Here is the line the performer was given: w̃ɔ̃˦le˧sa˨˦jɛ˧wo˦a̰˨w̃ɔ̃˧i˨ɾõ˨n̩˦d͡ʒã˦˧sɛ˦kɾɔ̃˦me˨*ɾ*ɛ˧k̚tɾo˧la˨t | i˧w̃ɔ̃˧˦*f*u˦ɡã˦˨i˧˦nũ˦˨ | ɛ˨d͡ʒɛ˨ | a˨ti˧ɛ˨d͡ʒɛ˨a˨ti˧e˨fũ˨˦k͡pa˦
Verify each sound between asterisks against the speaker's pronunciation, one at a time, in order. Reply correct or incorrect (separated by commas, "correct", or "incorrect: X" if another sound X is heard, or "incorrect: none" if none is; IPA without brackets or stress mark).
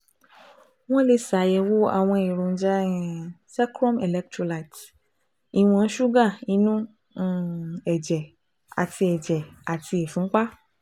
incorrect: l, incorrect: ʃ